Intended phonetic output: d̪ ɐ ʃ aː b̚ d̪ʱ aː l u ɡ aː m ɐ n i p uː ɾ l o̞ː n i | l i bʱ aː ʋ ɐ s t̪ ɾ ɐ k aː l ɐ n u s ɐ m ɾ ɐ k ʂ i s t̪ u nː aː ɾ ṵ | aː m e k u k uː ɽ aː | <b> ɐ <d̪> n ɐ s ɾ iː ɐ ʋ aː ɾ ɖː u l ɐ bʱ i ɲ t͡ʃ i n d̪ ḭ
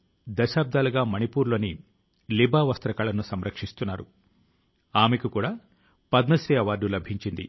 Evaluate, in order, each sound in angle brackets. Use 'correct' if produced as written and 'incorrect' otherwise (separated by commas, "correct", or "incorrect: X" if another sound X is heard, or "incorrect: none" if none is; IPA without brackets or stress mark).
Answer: incorrect: p, correct